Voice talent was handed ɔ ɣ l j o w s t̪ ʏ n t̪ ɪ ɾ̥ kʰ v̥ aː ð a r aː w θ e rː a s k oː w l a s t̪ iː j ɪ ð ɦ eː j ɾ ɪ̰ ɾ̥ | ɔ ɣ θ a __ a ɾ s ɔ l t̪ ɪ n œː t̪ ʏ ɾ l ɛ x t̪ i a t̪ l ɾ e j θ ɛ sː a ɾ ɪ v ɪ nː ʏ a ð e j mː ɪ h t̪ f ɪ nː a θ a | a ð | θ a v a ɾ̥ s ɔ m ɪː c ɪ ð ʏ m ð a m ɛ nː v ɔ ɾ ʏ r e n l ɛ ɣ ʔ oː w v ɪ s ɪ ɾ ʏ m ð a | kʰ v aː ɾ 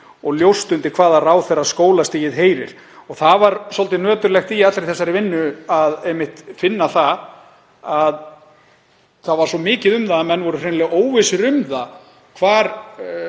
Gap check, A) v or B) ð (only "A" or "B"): A